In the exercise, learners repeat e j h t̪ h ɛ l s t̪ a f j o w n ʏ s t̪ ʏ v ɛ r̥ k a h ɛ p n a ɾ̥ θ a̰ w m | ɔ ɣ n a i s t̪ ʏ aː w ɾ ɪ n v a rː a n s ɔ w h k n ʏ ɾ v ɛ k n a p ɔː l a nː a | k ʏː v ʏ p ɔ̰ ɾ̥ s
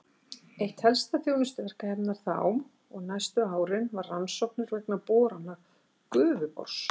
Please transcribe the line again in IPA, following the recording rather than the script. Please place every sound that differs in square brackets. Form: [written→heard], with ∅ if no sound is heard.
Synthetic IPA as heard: e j h t̪ h ɛ l s t̪ a [f→θ] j o w n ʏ s t̪ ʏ v ɛ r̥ k a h ɛ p n a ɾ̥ θ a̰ w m | ɔ ɣ n a [i→j] s t̪ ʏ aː w ɾ ɪ n v a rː a n s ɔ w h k n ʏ ɾ v ɛ k n a p ɔː [l→ɾ] a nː a | k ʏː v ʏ p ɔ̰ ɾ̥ s